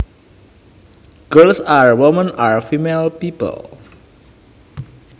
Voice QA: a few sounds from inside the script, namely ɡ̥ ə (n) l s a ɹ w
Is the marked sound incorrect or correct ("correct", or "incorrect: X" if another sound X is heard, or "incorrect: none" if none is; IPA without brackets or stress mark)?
incorrect: none